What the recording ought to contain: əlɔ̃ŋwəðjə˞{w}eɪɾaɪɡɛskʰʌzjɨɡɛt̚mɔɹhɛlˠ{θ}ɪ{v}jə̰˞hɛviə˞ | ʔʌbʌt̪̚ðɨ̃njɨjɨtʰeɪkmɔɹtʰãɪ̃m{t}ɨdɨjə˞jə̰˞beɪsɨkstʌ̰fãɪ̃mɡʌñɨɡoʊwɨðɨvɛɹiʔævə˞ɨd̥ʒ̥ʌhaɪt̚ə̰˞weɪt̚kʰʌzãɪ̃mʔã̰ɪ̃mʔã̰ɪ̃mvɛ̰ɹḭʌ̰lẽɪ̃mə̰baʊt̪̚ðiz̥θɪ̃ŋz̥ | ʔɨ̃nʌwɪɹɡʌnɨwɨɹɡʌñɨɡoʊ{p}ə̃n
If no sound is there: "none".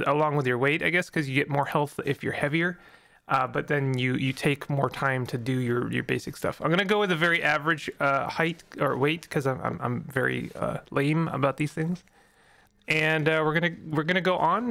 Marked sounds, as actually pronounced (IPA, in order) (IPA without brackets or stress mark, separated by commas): w, θ, f, tʰ, ʔ